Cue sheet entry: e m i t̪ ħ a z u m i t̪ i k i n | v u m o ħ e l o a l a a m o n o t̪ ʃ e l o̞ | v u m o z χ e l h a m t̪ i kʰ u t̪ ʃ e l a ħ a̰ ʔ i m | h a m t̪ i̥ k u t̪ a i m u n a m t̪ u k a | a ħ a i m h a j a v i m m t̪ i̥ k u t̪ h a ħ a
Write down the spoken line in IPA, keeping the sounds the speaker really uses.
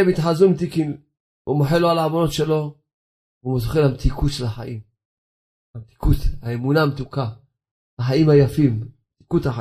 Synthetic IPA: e m i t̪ ħ a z u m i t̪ i k i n | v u m o ħ e l o a l a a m o n o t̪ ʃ e l o̞ | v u m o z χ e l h a m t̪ i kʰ u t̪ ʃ e l a ħ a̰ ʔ i m | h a m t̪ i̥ k u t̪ a e m u n a m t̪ u k a | a ħ a i m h a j a f i m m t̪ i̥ k u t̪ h a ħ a